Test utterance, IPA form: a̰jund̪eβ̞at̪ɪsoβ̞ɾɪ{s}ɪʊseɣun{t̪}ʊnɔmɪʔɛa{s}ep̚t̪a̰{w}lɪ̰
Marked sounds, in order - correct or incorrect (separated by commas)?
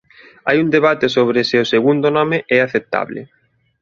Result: correct, incorrect, incorrect, incorrect